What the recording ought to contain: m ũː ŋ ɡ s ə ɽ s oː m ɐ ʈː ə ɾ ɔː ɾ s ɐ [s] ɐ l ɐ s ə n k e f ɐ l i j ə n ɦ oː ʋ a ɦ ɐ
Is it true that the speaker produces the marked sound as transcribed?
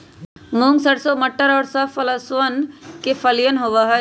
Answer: no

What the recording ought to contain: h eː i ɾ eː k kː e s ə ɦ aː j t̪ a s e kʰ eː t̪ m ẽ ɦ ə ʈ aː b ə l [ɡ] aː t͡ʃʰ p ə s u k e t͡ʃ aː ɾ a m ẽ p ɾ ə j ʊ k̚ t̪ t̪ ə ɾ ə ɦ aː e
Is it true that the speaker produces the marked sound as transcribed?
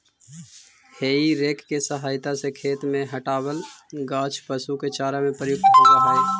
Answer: yes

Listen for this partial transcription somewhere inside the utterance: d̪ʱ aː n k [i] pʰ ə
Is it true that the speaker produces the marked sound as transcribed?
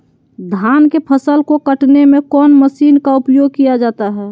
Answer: no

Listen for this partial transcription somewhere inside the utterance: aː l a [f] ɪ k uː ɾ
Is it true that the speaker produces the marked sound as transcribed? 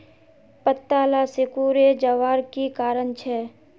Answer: no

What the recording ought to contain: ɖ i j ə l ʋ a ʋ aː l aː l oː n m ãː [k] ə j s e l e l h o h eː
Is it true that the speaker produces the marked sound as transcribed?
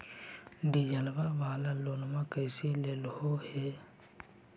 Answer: yes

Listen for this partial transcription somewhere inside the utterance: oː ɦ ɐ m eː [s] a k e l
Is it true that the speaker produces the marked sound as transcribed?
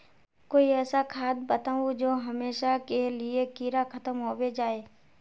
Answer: no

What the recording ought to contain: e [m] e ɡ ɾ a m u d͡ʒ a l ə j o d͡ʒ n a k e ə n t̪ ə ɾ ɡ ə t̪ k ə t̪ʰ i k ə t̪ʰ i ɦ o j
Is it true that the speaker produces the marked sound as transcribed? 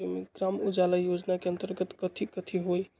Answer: yes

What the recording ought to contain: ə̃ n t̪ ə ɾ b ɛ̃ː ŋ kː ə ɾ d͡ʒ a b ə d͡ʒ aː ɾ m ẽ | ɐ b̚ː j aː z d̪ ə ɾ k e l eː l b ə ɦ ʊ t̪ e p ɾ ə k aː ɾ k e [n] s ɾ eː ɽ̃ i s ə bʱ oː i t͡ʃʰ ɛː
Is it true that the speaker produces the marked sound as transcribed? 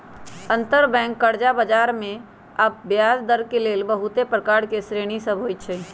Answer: no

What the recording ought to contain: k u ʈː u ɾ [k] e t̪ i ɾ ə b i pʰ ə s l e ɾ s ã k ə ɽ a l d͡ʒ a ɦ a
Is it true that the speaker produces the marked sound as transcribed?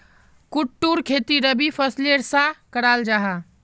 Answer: no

